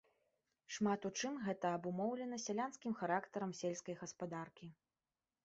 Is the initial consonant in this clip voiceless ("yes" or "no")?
yes